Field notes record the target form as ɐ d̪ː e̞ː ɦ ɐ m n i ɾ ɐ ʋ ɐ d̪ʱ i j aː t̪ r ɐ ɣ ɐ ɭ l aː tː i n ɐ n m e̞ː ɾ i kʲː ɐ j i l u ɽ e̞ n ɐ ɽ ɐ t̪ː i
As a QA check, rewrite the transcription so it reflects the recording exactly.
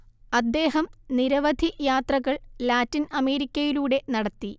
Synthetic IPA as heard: ɐ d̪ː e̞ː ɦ ɐ m n i ɾ ɐ ʋ ɐ d̪ʱ i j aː t̪ r ɐ ɣ ɐ ɭ l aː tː i n ɐ m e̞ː ɾ i kʲː ɐ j i l uː ɽ e̞ n ɐ ɽ ɐ t̪ː i

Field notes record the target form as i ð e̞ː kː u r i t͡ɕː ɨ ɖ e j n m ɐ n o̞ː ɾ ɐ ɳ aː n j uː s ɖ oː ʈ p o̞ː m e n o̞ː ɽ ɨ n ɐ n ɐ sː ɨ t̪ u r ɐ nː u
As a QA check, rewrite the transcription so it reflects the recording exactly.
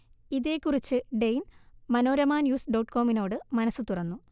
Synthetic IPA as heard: i ð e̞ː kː u r i t͡ɕː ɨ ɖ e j n m ɐ n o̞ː ɾ ɐ m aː n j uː s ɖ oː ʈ k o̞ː m i n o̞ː ɽ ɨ m ɐ n ɐ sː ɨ t̪ u r ɐ nː u

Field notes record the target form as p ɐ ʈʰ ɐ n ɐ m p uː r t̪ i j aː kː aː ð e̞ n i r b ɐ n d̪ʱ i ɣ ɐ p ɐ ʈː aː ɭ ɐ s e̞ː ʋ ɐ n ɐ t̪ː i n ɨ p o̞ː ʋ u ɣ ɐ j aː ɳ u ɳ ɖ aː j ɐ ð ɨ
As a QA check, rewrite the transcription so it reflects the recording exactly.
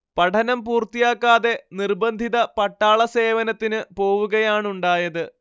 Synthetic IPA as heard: p ɐ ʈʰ ɐ n ɐ m p uː r t̪ i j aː kː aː ð e̞ n i r b ɐ n d̪ʱ i ð ɐ p ɐ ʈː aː ɭ ɐ s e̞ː ʋ ɐ n ɐ t̪ː i n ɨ p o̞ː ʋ u ɣ ɐ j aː ɳ u ɳ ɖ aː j ɐ ð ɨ

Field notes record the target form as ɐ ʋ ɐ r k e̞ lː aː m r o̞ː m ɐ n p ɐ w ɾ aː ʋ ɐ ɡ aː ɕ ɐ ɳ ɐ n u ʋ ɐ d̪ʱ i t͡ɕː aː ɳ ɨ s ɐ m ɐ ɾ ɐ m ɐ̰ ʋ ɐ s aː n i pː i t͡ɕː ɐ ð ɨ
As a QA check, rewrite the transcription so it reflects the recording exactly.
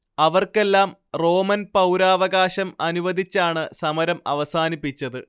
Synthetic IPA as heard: ɐ ʋ ɐ r k e̞ lː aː m r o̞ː m ɐ n p ɐ w ɾ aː ʋ ɐ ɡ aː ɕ ɐ m ɐ n u ʋ ɐ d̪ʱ i t͡ɕː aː ɳ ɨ s ɐ m ɐ ɾ ɐ m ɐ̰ ʋ ɐ s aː n i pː i t͡ɕː ɐ ð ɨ

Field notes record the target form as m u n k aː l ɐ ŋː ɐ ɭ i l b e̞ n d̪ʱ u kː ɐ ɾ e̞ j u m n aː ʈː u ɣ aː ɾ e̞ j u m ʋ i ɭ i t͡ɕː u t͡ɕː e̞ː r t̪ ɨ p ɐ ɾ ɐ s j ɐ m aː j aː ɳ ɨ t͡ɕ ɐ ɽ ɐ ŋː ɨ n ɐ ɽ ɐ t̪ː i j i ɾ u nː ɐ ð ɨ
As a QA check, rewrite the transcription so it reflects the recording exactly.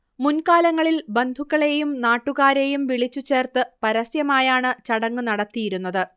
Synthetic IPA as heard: m u n k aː l ɐ ŋː ɐ ɭ i l b e̞ n d̪ʱ u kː ɐ ɭ e̞ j u m n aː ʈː u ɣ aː ɾ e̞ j u m ʋ i ɭ i t͡ɕː u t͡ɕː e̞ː r t̪ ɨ p ɐ ɾ ɐ s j ɐ m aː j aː ɳ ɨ t͡ɕ ɐ ɽ ɐ ŋː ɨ n ɐ ɽ ɐ t̪ː i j i ɾ u nː ɐ ð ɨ

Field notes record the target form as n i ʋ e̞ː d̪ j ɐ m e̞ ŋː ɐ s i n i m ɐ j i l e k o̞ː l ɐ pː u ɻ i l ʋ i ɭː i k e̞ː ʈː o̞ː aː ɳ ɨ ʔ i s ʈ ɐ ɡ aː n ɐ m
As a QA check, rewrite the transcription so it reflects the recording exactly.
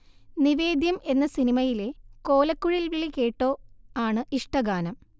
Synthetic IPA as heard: n i ʋ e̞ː d̪ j ɐ m e̞ nː ɐ s i n i m ɐ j i l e k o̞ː l ɐ kː u ɻ i l ʋ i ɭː i k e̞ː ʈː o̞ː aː ɳ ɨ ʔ i ʂ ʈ ɐ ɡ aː n ɐ m

